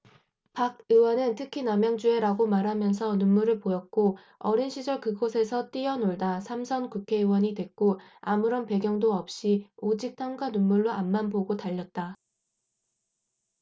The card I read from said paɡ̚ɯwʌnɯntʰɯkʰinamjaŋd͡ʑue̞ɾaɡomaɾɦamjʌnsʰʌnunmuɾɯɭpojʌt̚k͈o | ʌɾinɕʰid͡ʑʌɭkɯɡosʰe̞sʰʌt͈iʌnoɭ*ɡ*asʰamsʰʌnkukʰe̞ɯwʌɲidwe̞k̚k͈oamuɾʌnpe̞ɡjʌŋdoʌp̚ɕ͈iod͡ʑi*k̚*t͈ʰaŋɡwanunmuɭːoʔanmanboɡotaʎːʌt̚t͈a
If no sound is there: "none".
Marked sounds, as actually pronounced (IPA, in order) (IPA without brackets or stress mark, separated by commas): d, k̚